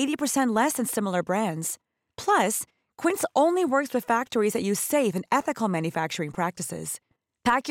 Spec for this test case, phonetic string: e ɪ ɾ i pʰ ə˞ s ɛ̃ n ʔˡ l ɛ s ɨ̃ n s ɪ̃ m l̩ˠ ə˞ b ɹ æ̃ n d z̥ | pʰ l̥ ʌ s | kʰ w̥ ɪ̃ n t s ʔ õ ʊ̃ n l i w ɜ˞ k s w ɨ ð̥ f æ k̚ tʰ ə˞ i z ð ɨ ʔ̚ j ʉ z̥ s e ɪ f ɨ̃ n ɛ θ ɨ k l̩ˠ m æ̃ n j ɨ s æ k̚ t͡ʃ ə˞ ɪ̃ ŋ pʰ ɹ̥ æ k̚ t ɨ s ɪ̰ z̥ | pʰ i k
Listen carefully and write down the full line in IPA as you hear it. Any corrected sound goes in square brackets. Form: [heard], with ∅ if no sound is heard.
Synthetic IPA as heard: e ɪ ɾ i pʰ ə˞ s ɛ̃ n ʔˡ l ɛ s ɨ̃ n s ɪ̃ m l̩ˠ ə˞ b ɹ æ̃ n d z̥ | pʰ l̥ ʌ s | kʰ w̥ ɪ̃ n t s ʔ õ ʊ̃ n l i w ɜ˞ k s w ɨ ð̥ f æ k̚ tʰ ə˞ i z ð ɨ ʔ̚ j ʉ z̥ s e ɪ f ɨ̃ n ɛ θ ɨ k l̩ˠ m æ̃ n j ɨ [f] æ k̚ t͡ʃ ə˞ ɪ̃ ŋ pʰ ɹ̥ æ k̚ t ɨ s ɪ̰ z̥ | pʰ [æ] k